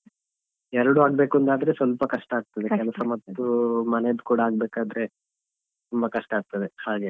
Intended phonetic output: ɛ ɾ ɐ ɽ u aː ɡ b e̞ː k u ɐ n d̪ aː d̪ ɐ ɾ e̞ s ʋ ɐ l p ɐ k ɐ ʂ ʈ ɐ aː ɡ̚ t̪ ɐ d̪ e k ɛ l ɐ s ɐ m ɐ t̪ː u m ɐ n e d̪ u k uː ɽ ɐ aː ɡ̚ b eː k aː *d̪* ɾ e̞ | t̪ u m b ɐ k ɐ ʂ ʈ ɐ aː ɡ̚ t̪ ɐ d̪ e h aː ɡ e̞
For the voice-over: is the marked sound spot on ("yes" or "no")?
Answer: yes